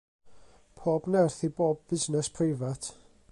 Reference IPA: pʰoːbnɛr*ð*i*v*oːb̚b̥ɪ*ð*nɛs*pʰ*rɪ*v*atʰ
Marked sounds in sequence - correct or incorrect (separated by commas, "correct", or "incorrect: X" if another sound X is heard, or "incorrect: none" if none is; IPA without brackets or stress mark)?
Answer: incorrect: θ, incorrect: b, incorrect: z, correct, correct